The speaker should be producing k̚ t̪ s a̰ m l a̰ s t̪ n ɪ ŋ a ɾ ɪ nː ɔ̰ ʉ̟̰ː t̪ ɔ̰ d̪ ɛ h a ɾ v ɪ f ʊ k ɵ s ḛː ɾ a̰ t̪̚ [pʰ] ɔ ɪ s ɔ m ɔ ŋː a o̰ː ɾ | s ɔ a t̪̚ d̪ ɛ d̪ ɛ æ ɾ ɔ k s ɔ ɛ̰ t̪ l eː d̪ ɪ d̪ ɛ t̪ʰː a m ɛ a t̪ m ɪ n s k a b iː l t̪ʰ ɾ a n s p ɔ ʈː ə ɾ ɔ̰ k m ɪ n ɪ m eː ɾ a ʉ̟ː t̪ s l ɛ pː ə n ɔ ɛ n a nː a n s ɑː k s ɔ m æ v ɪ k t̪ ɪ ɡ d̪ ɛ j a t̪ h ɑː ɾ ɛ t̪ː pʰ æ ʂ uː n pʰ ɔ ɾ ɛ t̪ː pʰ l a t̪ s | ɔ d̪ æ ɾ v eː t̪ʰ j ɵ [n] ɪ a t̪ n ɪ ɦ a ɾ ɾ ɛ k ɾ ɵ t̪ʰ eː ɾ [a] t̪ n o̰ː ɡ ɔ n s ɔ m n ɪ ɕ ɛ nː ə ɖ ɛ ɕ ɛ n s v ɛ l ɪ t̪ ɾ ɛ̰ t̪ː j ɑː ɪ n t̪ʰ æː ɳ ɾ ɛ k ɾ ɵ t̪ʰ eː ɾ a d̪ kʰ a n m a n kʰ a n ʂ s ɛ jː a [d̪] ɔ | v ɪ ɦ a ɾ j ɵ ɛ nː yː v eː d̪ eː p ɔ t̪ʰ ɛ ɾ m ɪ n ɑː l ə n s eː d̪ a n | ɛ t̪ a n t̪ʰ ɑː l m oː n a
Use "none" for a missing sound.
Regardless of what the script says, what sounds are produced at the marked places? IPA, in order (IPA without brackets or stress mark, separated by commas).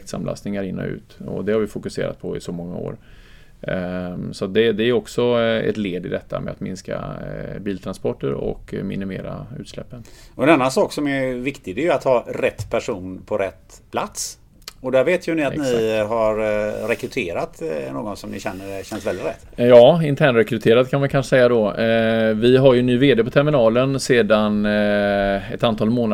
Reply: pʰ, n, a, d̪